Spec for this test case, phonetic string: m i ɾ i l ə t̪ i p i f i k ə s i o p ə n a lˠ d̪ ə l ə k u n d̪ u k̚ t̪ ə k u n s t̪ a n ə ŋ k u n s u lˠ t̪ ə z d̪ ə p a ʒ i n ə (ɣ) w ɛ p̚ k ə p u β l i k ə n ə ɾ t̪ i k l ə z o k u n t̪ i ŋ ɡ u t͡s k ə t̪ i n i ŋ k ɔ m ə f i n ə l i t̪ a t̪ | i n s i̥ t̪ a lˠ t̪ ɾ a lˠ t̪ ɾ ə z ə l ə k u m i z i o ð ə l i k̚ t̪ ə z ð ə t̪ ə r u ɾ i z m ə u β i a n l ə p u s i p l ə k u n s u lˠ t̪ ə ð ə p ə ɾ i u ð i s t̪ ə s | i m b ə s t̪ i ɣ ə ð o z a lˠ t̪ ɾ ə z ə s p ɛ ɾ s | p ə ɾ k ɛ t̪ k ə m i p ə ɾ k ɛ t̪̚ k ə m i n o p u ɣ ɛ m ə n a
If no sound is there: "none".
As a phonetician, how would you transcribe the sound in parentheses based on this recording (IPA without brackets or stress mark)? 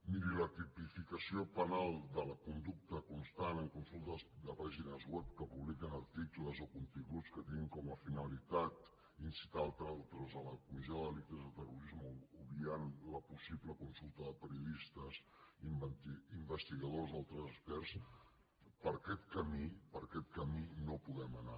z